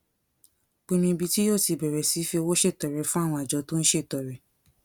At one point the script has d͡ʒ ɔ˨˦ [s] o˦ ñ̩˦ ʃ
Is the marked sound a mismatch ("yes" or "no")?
yes